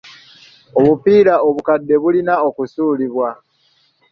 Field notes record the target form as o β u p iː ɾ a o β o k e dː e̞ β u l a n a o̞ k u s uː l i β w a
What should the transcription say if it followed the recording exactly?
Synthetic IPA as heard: o β u p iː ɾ a o β u k a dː e̞ β u l i n a o̞ k u s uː l i β w a